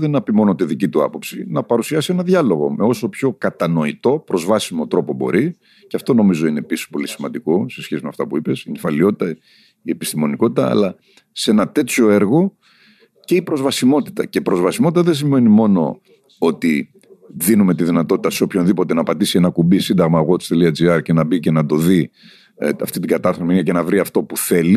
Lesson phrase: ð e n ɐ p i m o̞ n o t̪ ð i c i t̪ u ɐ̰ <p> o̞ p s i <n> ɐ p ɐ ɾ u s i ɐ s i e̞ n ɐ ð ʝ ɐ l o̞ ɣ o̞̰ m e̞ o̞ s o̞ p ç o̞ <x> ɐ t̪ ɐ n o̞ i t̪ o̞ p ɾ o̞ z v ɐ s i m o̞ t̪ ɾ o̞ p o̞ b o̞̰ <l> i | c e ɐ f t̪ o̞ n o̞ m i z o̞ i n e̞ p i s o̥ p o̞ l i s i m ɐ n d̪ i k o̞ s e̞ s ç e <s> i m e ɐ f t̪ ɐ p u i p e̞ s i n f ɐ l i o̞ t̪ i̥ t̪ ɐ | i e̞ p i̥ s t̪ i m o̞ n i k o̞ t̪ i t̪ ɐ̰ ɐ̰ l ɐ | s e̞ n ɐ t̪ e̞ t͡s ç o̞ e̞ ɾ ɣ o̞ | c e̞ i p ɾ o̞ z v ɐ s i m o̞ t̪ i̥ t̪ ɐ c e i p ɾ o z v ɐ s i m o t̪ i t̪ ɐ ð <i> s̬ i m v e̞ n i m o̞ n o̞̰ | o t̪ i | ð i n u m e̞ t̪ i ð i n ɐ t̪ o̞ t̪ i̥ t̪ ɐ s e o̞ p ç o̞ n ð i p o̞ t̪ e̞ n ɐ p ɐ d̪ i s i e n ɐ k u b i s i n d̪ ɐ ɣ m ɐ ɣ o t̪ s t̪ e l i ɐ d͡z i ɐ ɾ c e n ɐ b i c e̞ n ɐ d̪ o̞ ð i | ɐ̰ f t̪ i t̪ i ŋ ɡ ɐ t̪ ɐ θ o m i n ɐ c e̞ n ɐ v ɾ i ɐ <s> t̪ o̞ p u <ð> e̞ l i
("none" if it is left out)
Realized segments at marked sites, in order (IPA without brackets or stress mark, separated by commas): p, n, k, ɾ, s, e, f, θ